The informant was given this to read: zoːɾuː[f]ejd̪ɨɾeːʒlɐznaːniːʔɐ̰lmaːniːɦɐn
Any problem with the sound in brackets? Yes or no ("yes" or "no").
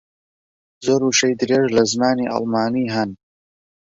yes